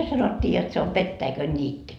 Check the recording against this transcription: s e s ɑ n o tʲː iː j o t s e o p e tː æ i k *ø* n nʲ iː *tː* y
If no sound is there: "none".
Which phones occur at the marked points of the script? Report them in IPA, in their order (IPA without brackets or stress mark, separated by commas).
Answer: ø, tː